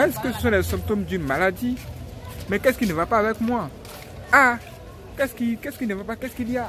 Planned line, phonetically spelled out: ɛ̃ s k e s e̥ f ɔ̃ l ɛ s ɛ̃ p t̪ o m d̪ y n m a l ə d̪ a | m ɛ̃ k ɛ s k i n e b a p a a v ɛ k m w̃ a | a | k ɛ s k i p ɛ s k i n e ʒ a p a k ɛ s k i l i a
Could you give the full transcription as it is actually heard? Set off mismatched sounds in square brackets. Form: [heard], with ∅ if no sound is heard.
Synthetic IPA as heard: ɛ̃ s k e s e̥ [s] ɔ̃ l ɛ s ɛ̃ p t̪ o m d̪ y n m a l [a] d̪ [i] | m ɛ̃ k ɛ s k i n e [v] a p a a v ɛ k m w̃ a | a | k ɛ s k i [k] ɛ s k i n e [v] a p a k ɛ s k i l i a

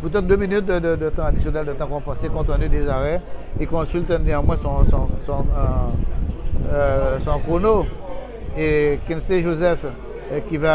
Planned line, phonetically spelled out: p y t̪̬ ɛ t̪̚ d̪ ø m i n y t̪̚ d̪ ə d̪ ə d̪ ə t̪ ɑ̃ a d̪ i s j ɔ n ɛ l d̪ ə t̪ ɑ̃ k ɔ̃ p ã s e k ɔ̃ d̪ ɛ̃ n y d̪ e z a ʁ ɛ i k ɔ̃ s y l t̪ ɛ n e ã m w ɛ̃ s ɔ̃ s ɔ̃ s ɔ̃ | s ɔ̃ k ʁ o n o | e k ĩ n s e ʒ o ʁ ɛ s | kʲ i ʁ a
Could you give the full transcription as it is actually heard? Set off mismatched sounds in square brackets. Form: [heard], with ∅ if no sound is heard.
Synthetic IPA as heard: p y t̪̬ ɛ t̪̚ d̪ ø m i n y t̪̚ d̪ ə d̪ ə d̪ ə t̪ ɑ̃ a d̪ i s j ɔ n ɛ l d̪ ə t̪ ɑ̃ k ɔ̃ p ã s e k ɔ̃ [t̪] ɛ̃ n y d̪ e z a ʁ ɛ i k ɔ̃ s y l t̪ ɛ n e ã m w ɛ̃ s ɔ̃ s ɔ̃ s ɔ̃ | s ɔ̃ k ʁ o n o | e k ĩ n s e ʒ o [z] ɛ [f] | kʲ i [v] a

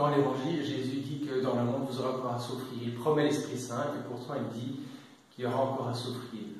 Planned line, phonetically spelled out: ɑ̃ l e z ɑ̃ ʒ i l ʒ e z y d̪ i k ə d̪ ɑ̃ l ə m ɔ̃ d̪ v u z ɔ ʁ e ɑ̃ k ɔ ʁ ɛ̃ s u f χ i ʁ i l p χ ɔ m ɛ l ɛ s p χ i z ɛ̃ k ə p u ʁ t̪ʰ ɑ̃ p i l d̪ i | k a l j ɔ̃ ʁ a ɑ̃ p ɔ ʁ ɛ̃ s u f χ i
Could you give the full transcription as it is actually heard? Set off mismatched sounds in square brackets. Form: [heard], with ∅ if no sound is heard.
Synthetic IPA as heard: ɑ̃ l e [v] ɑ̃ ʒ i l ʒ e z y d̪ i k ə d̪ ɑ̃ l ə m ɔ̃ d̪ v u z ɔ ʁ e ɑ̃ k ɔ ʁ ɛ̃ s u f χ i ʁ i l p χ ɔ m ɛ l ɛ s p χ i [s] ɛ̃ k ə p u ʁ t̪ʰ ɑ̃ [∅] i l d̪ i | k [i] l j [ɔ] ʁ a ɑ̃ [k] ɔ ʁ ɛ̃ s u f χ i

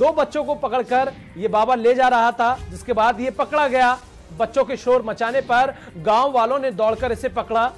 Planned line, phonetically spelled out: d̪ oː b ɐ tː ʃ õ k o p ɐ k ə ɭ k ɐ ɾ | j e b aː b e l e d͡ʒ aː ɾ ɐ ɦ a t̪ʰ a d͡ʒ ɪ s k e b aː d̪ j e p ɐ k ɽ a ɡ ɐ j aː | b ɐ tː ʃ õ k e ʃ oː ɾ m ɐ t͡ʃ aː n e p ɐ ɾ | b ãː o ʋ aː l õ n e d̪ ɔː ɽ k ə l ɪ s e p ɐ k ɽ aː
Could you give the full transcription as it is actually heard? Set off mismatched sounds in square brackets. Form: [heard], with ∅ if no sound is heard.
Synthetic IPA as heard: d̪ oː b ɐ tː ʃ õ k o p ɐ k ə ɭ k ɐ ɾ | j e b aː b [a] l e d͡ʒ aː ɾ ɐ ɦ a t̪ʰ a d͡ʒ ɪ s k e b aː d̪ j e p ɐ k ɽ a ɡ ɐ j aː | b ɐ tː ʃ õ k e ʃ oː ɾ m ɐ t͡ʃ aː n e p ɐ ɾ | [ɡ] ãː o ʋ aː l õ n e d̪ ɔː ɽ k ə [ɾ] ɪ s e p ɐ k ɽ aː

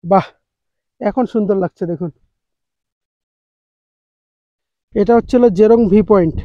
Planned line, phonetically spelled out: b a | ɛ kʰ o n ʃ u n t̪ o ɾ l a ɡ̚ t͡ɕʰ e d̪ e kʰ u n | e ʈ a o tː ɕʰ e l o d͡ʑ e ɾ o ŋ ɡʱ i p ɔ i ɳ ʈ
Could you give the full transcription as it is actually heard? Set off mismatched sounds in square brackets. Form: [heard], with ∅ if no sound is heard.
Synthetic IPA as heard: b a | ɛ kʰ o n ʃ u n [d̪] o ɾ l a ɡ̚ t͡ɕʰ e d̪ e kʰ u n | e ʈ a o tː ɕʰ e l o d͡ʑ e ɾ o ŋ [bʱ] i p ɔ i ɳ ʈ

